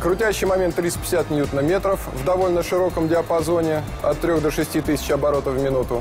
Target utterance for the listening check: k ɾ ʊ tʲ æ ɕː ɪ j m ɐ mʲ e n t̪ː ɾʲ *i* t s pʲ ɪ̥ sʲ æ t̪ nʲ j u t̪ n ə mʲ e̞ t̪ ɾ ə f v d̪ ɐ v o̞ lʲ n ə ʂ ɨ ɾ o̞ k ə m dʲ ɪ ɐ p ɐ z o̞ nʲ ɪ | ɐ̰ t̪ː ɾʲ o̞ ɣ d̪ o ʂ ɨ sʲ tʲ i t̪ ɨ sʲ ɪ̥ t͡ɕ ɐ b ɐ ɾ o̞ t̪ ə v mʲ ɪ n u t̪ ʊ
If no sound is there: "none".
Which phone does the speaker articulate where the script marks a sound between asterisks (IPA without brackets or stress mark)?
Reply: i